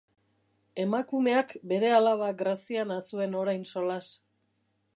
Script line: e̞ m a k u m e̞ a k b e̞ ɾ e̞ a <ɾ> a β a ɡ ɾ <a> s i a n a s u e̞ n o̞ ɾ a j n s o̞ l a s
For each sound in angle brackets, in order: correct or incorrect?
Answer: incorrect, correct

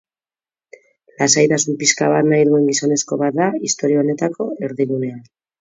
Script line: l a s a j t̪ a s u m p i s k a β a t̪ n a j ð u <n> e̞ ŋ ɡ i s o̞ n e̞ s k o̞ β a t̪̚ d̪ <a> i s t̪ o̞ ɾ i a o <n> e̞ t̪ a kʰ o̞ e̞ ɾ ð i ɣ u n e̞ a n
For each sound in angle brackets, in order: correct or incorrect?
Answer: incorrect, correct, correct

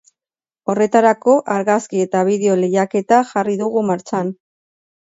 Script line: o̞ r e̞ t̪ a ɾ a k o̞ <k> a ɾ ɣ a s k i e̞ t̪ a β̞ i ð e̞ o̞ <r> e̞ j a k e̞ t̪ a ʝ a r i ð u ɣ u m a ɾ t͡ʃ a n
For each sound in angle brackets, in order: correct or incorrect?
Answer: incorrect, incorrect

